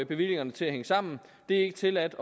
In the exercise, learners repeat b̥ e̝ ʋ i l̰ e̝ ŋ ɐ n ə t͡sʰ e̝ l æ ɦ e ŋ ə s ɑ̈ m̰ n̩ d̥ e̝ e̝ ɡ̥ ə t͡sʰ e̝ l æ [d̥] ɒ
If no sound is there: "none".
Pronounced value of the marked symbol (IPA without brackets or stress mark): d̥